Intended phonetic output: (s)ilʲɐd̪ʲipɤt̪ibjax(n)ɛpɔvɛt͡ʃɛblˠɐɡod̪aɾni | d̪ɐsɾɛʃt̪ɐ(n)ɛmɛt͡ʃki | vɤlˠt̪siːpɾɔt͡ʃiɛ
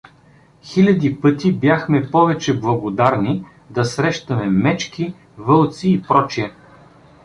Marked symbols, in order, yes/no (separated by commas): no, no, no